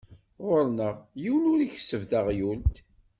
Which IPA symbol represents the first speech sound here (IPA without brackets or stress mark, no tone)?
ʁ